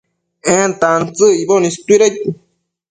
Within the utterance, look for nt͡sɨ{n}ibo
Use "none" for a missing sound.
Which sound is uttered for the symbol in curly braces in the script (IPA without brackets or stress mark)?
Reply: none